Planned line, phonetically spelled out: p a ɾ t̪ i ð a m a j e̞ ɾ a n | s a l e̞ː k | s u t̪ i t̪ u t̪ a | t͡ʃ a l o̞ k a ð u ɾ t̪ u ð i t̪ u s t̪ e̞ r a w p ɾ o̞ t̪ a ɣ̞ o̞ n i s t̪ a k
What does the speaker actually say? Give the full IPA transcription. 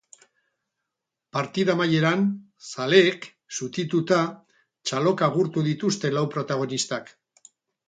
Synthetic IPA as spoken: p a ɾ t̪ i ð a m a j e̞ ɾ a n | s a l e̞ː k | s u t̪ i t̪ u t̪ a | t͡ʃ a l o̞ k a ɣ u ɾ t̪ u ð i t̪ u s t̪ e̞ l a w p ɾ o̞ t̪ a ɣ̞ o̞ n i s t̪ a k

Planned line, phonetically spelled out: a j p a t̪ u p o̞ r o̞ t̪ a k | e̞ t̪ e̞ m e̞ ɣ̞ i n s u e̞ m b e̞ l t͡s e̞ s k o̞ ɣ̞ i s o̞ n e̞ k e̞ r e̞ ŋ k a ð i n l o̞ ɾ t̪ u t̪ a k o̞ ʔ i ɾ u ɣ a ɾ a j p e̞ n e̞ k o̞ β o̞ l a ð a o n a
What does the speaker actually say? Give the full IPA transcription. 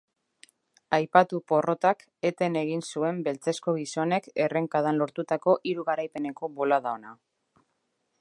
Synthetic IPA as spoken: a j p a t̪ u p o̞ r o̞ t̪ a k | e̞ t̪ e̞ n e̞ ɣ̞ i n s u e̞ m b e̞ l t͡s e̞ s k o̞ ɣ̞ i s o̞ n e̞ k e̞ r e̞ ŋ k a ð a n l o̞ ɾ t̪ u t̪ a k o̞ ʔ i ɾ u ɣ a ɾ a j p e̞ n e̞ k o̞ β o̞ l a ð a o n a

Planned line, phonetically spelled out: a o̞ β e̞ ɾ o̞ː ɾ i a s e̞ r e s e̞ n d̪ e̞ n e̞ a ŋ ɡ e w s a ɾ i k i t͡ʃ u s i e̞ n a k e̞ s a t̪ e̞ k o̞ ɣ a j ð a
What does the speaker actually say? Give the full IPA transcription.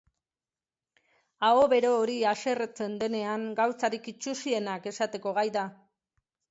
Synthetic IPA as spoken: a o̞ β e̞ ɾ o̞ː ɾ i a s e̞ r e t͡s e̞ n d̪ e̞ n e̞ a ŋ ɡ a w t͡s a ɾ i k i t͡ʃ u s i e̞ n a k e̞ s a t̪ e̞ k o̞ ɣ a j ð a

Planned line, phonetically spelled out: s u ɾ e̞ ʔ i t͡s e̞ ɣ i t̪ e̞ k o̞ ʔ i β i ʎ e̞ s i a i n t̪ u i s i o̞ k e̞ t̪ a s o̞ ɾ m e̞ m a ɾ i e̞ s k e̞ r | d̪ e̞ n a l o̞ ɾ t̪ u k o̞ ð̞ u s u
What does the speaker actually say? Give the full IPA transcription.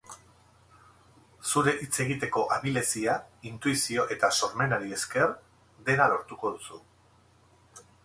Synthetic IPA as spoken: s u ɾ e̞ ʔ i t͡s e̞ ɣ i t̪ e̞ k o̞ ʔ a β i l e̞ s i a i n t̪ u i s i o̞ ʔ e̞ t̪ a s o̞ ɾ m e̞ n a ɾ i e̞ s k e̞ r | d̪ e̞ n a l o̞ ɾ t̪ u k o̞ ð̞ u s u

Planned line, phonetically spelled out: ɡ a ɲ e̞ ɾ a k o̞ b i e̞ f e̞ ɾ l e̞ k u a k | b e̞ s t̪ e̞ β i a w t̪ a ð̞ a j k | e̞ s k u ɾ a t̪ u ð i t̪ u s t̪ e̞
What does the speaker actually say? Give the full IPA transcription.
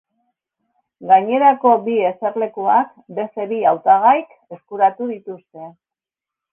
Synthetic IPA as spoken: ɡ a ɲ e̞ ɾ a k o̞ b i e̞ s e̞ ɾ l e̞ k u a k | b e̞ s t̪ e̞ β i a w t̪ a ɣ̞ a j k | e̞ s k u ɾ a t̪ u ð i t̪ u s t̪ e̞

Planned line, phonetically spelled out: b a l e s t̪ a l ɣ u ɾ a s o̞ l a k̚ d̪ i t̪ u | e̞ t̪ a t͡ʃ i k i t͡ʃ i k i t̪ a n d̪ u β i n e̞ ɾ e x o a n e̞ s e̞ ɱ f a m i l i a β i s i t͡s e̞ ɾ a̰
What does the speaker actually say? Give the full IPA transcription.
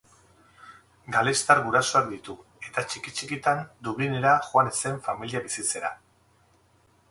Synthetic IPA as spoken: ɡ a l e s t̪ a ɾ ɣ u ɾ a s o̞ a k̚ d̪ i t̪ u | e̞ t̪ a t͡ʃ i k i t͡ʃ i k i t̪ a n d̪ u β i n e̞ ɾ a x o a n e̞ s e̞ ɱ f a m i l i a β i s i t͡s e̞ ɾ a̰

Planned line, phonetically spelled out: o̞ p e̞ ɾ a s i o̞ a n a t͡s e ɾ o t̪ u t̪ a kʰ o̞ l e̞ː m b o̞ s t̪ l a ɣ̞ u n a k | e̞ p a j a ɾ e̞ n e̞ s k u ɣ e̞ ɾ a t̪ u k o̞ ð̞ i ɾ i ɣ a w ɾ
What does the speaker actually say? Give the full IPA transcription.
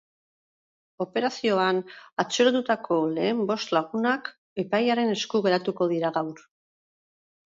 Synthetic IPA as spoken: o̞ p e̞ ɾ a s i o̞ a n a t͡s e ɾ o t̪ u t̪ a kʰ o̞ l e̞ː m b o̞ s t̪ l a ɣ̞ u n a k | e̞ p a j a ɾ e̞ n e̞ s k u ɣ e̞ ɾ a t̪ u k o̞ ð̞ i ɾ a ɣ a w ɾ

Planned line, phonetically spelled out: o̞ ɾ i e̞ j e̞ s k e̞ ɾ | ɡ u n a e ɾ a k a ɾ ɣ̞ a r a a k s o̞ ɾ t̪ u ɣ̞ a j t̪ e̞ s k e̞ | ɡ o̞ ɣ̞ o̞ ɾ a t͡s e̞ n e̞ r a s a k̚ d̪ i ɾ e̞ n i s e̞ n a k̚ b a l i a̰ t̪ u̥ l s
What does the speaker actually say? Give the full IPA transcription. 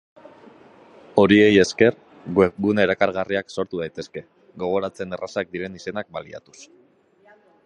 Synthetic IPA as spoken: o̞ ɾ i e̞ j e̞ s k e̞ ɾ | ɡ u n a e ɾ a k a ɾ ɣ̞ a r i a k s o̞ ɾ t̪ u ð̞ a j t̪ e̞ s k e̞ | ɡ o̞ ɣ̞ o̞ ɾ a t͡s e̞ n e̞ r a s a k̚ d̪ i ɾ e̞ n i s e̞ n a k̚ b a l i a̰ t̪ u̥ s

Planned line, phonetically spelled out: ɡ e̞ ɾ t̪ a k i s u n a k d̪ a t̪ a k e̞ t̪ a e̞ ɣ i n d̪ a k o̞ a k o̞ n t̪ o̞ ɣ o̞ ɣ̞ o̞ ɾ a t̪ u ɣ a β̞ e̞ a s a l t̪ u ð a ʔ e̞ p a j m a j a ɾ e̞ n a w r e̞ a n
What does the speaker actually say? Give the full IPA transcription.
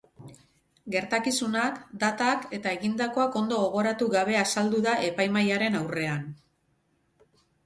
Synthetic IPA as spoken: ɡ e̞ ɾ t̪ a k i s u n a k d̪ a t̪ a k e̞ t̪ a e̞ ɣ i n d̪ a k o̞ a k o̞ n d̪ o̞ ɣ o̞ ɣ̞ o̞ ɾ a t̪ u ɣ a β̞ e̞ a s a l d̪ u ð a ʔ e̞ p a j m a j a ɾ e̞ n a w r e̞ a n

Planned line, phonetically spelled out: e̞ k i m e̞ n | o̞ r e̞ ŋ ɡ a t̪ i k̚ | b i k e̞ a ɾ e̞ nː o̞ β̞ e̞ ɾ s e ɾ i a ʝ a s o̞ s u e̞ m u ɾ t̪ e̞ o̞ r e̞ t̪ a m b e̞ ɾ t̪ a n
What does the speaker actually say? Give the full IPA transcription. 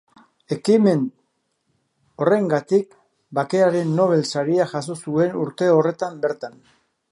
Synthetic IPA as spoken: e̞ k i m e̞ n | o̞ r e̞ ŋ ɡ a t̪ i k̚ | b a k e̞ a ɾ e̞ nː o̞ β̞ e̞ l s a ɾ i a ʝ a s o̞ s u e̞ n u ɾ t̪ e̞ o̞ r e̞ t̪ a m b e̞ ɾ t̪ a n

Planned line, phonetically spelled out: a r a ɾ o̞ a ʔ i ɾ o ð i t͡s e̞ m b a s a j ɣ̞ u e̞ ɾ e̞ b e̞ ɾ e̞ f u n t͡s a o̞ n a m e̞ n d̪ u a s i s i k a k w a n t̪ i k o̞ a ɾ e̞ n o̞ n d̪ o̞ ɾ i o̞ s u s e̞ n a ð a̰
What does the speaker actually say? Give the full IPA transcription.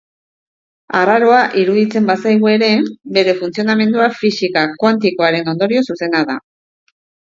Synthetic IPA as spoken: a r a ɾ o̞ a ʔ i ɾ u ð i t͡s e̞ m b a s a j ɣ̞ u e̞ ɾ e̞ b e̞ ɾ e̞ f u n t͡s i o̞ n a m e̞ n d̪ u a f i s i k a k w a n t̪ i k o̞ a ɾ e̞ n o̞ n d̪ o̞ ɾ i o̞ s u s e̞ n a ð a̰

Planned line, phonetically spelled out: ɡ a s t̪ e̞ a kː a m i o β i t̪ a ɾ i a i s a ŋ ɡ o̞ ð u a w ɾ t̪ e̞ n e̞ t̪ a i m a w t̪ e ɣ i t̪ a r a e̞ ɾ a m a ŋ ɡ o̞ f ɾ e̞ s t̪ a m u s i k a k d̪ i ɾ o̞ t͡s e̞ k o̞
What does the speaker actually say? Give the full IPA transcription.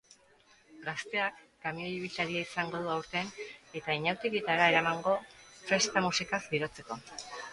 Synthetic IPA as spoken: ɡ a s t̪ e̞ a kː a m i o β i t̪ a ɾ i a i s a ŋ ɡ o̞ ð u a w ɾ t̪ e̞ n e̞ t̪ a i ɲ a w t̪ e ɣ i t̪ a ɾ a e̞ ɾ a m a ŋ ɡ o̞ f ɾ e̞ s t̪ a m u s i k a k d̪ i ɾ o̞ t͡s e̞ k o̞

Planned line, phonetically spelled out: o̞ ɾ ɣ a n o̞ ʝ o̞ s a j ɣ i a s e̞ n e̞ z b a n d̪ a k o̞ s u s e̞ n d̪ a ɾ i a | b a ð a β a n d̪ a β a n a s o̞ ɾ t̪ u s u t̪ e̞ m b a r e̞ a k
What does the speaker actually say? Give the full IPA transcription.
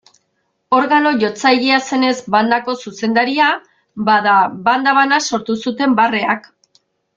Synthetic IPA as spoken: o̞ ɾ ɣ a n o̞ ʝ o̞ t͡s a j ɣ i a s e̞ n e̞ z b a n d̪ a k o̞ s u s e̞ n d̪ a ɾ i a | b a ð a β a n d̪ a β a n a s o̞ ɾ t̪ u s u t̪ e̞ m b a r e̞ a k

